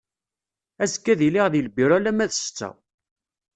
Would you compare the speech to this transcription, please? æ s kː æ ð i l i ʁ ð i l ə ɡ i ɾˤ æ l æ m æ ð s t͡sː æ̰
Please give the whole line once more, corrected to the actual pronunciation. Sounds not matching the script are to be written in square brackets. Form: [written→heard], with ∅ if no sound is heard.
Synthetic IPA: æ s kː æ ð i l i ʁ ð i l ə [ɡ→b] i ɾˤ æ l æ m æ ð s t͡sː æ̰